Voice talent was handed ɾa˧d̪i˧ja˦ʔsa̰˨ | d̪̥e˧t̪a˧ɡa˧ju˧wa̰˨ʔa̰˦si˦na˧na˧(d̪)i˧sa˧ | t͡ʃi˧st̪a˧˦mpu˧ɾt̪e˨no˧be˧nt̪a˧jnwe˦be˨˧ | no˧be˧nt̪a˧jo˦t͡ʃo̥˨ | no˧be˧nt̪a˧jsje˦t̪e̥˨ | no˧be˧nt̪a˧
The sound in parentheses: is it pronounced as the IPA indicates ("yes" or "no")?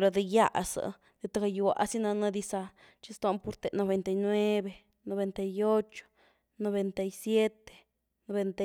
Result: yes